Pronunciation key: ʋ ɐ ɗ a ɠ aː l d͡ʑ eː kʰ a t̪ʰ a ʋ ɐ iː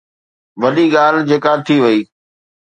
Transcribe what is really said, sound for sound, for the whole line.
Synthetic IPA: ʋ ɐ ɗ i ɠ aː l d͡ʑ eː k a t̪ʰ i ʋ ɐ iː